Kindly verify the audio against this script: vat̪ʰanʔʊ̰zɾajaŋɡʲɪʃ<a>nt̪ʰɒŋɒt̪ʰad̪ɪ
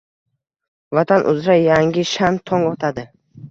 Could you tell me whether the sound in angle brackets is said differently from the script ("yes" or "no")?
no